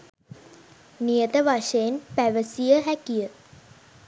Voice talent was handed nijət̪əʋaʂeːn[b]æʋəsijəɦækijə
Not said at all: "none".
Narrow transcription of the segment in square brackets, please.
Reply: p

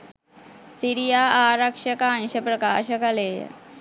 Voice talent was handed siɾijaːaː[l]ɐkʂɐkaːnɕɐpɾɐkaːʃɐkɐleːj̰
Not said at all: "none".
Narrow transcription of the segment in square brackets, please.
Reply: ɾ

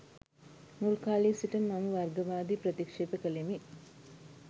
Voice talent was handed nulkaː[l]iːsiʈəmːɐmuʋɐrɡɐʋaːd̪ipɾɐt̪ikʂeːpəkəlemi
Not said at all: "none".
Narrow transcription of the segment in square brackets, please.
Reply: l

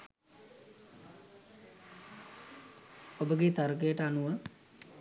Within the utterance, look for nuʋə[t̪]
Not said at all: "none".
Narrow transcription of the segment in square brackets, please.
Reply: none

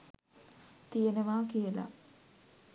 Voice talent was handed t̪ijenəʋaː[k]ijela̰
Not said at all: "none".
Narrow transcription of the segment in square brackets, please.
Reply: k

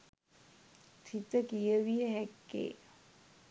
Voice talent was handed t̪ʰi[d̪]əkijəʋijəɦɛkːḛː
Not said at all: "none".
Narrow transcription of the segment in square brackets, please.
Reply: t̪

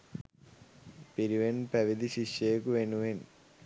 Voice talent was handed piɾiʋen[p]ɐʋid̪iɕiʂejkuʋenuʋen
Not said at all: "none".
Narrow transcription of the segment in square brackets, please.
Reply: p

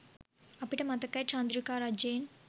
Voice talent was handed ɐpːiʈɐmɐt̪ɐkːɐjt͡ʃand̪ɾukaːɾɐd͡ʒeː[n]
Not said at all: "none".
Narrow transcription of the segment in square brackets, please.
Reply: n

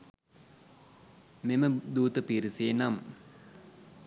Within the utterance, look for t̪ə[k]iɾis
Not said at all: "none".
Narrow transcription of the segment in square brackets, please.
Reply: p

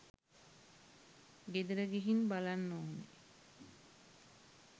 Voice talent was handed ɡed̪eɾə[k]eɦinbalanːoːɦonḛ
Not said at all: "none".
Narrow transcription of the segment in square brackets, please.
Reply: ɡ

